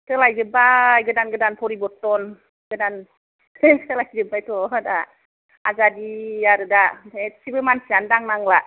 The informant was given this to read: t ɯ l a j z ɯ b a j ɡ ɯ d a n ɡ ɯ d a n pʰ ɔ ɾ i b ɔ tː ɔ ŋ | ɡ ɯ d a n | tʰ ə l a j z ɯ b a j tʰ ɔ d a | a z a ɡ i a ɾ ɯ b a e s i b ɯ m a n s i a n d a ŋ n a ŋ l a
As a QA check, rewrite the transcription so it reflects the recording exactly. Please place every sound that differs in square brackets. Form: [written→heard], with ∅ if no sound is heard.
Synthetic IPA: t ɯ l a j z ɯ b a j ɡ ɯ d a n ɡ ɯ d a n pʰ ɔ ɾ i b ɔ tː ɔ [ŋ→n] | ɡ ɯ d a n | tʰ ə l a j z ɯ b a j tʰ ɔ d a | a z a [ɡ→d] i a ɾ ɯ [b→d] a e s i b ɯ m a n s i a n d a ŋ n a ŋ l a